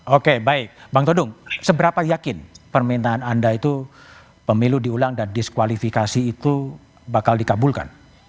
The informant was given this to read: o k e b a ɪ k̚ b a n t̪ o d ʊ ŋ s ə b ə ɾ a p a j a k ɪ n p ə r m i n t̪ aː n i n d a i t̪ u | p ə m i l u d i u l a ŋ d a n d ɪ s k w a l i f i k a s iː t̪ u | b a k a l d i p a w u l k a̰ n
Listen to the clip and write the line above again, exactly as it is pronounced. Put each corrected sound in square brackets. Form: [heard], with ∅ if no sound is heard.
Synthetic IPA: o k e b a ɪ k̚ b a [ŋ] t̪ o d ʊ ŋ s ə b ə ɾ a p a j a k ɪ n p ə r m i n t̪ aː n [a] n d a i t̪ u | p ə m i l u d i u l a ŋ d a n d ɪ s k w a l i f i k a s iː t̪ u | b a k a l d i [k] a [b] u l k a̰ n